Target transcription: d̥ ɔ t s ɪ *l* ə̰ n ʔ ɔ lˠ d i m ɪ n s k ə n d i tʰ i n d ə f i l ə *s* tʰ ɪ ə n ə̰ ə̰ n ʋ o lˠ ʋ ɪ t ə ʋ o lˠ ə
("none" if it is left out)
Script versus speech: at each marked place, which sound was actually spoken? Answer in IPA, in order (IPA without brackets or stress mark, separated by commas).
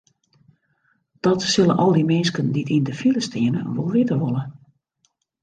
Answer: l, s